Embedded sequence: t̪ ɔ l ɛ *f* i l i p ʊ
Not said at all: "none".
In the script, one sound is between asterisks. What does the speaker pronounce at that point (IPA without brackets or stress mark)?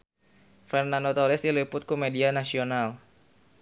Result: s